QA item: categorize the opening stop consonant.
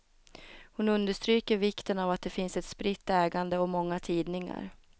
plain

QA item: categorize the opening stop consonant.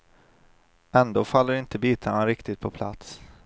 plain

